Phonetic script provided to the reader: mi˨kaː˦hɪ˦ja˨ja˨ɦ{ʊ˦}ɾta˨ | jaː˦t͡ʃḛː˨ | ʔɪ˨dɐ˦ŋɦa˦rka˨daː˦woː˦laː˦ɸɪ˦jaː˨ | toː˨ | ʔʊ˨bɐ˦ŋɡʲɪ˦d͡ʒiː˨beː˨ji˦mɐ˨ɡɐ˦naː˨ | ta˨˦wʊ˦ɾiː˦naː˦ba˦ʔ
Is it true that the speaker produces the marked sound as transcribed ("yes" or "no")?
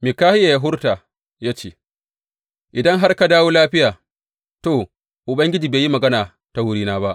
yes